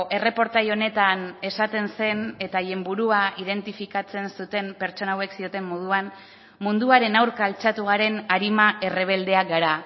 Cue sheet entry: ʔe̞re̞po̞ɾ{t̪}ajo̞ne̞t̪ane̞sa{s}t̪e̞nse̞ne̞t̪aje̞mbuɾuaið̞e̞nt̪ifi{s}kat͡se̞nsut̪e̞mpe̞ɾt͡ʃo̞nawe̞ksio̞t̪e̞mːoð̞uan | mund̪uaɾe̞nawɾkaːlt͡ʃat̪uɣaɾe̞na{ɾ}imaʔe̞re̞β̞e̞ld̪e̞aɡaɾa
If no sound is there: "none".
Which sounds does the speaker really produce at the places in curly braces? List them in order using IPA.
t̪, none, none, ɾ

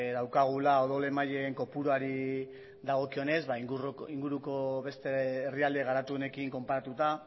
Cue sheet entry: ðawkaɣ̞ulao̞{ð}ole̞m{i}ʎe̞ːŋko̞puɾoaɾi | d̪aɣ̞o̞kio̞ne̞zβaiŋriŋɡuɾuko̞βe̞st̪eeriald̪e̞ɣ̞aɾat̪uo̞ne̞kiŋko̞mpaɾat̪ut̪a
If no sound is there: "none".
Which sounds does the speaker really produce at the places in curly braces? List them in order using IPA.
ð, a

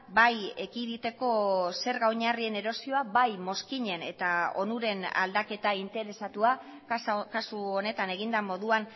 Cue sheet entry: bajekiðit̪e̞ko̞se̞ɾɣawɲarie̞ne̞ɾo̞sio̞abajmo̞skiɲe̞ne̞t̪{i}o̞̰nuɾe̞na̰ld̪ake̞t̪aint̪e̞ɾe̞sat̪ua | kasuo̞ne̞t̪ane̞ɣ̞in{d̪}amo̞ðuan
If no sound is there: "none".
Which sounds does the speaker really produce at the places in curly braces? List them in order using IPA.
a, d̪

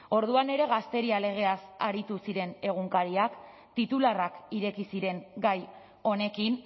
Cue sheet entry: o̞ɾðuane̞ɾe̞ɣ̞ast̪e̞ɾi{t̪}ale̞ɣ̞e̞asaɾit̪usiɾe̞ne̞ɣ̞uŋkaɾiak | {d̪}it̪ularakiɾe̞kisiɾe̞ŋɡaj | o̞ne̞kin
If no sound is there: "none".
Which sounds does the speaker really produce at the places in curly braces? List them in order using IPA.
none, t̪

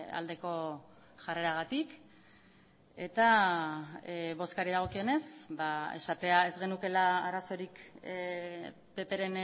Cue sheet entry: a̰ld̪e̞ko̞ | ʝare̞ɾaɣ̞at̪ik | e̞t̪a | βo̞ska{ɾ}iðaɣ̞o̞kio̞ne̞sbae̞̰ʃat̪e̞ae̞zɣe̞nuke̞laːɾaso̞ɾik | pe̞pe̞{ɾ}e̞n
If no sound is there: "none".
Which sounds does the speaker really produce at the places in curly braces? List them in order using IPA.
ɾ, ɾ

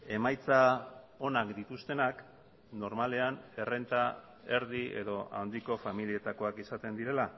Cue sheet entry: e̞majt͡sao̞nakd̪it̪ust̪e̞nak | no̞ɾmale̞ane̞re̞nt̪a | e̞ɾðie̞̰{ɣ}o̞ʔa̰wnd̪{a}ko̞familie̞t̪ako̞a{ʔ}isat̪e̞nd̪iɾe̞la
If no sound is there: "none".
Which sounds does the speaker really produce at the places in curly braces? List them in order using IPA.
ð, i, k

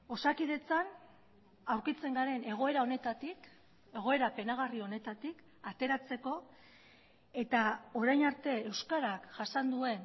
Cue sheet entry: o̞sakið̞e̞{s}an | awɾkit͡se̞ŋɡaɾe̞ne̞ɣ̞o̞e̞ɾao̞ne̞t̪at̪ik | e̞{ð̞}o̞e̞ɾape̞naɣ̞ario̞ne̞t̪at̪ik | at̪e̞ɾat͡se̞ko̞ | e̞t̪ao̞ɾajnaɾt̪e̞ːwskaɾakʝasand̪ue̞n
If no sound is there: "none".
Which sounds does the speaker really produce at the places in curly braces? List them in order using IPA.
t͡s, ɣ̞

